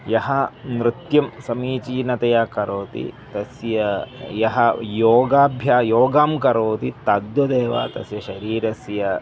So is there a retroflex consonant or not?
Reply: no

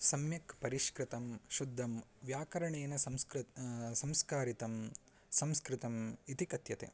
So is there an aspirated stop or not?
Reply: no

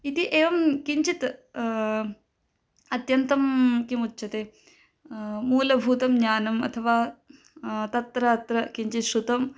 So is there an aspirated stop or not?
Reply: yes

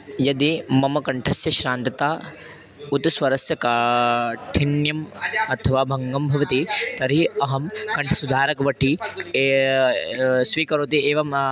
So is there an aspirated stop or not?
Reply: yes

